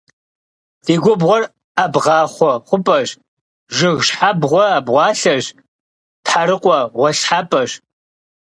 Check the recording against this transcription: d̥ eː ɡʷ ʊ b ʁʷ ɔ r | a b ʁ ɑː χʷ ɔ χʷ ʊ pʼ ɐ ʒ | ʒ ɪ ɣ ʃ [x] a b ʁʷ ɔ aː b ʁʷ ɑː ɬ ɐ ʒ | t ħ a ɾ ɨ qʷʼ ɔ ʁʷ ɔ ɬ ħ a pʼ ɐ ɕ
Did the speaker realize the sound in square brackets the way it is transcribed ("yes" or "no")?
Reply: no